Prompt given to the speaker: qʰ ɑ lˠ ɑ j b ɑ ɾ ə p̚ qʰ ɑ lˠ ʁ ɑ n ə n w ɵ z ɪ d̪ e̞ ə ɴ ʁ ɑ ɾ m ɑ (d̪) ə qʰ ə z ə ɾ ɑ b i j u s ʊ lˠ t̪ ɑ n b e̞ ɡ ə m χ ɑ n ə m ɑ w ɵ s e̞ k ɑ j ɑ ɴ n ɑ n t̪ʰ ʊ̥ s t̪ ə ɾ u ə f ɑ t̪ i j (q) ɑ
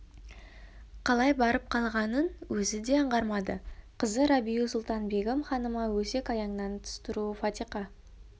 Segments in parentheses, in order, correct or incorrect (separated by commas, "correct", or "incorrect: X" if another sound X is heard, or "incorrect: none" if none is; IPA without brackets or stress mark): correct, correct